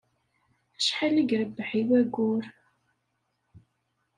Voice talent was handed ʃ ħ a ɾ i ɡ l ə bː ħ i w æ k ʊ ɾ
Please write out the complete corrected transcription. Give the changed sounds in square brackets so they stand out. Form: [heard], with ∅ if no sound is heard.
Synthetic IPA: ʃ ħ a [l] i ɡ [ɾ] ə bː ħ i w æ [ɡ] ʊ ɾ